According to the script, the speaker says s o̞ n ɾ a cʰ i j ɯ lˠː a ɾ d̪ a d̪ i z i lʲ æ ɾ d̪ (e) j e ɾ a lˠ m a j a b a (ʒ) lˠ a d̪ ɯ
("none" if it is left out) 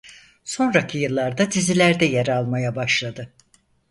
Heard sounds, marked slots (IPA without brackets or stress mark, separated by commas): ɛ, ʃ